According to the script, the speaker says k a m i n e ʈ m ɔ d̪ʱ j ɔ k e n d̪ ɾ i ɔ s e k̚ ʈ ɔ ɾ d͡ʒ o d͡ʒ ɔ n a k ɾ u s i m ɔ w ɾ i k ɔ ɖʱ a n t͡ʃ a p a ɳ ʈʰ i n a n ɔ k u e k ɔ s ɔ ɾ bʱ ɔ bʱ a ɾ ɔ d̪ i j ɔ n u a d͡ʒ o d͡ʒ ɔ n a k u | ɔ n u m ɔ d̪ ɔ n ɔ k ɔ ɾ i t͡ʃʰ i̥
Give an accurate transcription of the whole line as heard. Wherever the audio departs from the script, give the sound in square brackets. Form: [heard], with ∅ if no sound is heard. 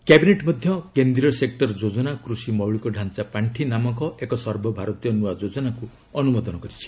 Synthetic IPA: k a [b] i n e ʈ m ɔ d̪ʱ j ɔ k e n d̪ ɾ i ɔ s e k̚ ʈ ɔ ɾ d͡ʒ o d͡ʒ ɔ n a k ɾ u s i m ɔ w [ɭ] i k ɔ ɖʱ a n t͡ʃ a p a ɳ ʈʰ i n a [m] ɔ k [ɔ] e k ɔ s ɔ ɾ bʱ ɔ bʱ a ɾ ɔ [t̪] i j ɔ n u a d͡ʒ o d͡ʒ ɔ n a k u | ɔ n u m ɔ d̪ ɔ n ɔ k ɔ ɾ i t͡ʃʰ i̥